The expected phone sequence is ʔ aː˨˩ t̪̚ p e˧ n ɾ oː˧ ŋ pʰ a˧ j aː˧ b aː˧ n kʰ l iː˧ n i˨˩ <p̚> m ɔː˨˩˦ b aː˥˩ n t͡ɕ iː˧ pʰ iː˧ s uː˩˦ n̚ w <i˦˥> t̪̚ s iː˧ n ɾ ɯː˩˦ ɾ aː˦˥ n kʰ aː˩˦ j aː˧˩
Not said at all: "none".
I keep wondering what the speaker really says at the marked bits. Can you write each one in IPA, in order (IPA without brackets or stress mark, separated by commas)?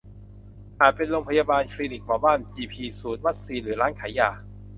k̚, a˦˥